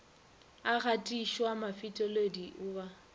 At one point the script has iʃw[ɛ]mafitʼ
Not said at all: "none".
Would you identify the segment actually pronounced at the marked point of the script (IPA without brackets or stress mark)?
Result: a